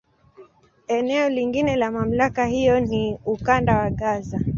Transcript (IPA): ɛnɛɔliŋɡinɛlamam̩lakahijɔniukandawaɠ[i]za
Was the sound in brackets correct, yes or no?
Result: no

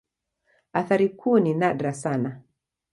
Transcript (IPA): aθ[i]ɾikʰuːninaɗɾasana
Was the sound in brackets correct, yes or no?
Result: no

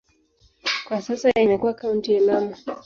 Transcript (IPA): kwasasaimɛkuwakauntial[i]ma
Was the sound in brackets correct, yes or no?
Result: no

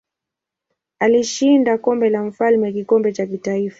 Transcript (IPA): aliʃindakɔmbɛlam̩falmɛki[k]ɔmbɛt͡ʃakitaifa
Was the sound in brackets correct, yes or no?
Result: yes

